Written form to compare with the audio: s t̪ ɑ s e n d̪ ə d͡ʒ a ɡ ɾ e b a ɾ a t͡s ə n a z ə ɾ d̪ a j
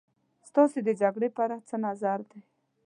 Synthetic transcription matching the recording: s t̪ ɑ s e d̪ ə d͡ʒ a ɡ ɽ e p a ɾ a t͡s ə n a z a ɾ d̪ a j